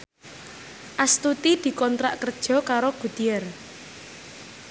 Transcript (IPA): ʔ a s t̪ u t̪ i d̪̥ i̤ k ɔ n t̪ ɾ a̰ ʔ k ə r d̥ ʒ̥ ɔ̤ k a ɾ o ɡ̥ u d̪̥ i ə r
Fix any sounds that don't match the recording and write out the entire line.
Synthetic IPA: ʔ a s t̪ u t̪ i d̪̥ i̤ k ɔ n t̪ ɾ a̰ ʔ k ə r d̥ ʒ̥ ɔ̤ k a ɾ o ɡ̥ u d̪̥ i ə r